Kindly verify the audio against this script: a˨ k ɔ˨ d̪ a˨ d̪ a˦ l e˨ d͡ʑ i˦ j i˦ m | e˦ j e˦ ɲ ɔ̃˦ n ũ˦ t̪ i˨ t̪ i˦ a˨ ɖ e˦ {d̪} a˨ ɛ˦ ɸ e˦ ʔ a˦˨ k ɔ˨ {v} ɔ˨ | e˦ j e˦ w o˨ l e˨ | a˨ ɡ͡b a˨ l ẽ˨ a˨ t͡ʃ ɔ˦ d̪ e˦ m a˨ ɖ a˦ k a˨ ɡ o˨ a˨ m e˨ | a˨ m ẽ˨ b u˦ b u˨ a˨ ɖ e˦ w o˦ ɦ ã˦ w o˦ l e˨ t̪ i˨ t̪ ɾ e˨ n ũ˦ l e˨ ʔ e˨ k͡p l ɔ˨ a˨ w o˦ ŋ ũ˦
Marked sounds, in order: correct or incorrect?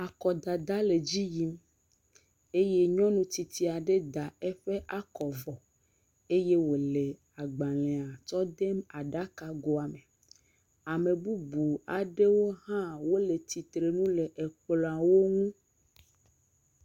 correct, correct

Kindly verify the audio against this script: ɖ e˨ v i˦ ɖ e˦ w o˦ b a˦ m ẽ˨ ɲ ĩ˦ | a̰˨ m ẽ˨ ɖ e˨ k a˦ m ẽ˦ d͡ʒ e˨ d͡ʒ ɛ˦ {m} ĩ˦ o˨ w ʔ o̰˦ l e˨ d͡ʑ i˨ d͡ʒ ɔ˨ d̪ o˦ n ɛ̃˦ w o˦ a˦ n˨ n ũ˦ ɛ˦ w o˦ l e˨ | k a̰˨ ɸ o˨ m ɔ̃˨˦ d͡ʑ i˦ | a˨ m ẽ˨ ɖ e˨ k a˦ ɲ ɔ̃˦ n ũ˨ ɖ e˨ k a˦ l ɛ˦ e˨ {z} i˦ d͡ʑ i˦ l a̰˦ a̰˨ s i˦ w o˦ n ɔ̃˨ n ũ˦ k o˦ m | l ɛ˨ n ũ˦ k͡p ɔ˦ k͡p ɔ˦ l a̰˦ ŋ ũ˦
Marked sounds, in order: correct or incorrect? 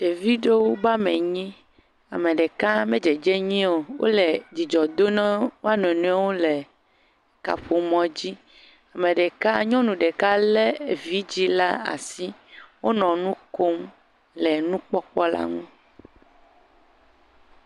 incorrect: ɲ, incorrect: v

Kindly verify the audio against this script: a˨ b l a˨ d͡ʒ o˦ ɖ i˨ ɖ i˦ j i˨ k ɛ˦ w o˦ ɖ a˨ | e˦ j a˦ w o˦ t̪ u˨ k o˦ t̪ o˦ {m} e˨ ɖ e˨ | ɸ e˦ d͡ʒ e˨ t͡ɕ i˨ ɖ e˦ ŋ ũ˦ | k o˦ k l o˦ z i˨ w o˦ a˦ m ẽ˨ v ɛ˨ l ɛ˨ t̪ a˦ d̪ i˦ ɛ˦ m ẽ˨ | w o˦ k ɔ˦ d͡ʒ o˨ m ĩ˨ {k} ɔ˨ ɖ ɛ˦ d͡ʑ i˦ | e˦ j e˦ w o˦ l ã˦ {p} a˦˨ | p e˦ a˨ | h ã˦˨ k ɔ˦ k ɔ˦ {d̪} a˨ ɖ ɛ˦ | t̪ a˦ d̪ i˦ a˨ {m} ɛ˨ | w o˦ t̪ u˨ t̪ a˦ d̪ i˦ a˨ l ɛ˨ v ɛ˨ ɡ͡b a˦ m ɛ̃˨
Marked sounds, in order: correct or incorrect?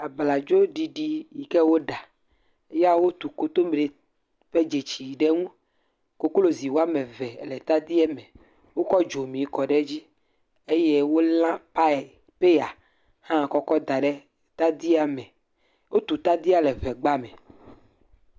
correct, correct, correct, correct, correct

